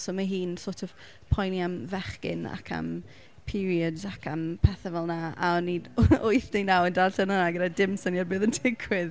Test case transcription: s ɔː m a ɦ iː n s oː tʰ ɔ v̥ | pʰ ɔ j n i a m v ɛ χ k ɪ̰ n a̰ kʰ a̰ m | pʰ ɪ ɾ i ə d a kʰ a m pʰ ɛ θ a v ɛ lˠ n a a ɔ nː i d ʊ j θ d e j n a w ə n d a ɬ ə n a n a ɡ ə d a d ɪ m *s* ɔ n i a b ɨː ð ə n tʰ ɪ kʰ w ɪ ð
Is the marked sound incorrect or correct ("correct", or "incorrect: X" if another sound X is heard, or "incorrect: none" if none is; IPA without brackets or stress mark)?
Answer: correct